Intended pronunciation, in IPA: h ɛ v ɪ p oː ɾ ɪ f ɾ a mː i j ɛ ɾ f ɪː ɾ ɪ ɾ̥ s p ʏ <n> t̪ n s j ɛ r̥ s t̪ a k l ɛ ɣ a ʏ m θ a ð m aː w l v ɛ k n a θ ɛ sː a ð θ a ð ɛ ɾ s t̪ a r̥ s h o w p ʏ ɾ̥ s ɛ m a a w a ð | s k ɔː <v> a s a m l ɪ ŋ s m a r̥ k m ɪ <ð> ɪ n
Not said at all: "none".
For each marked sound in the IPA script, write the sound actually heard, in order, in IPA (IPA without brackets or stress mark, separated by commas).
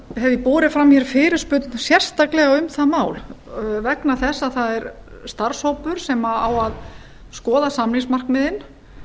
none, ð, ð